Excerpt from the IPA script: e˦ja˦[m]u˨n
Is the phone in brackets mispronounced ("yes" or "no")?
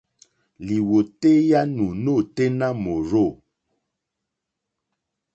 yes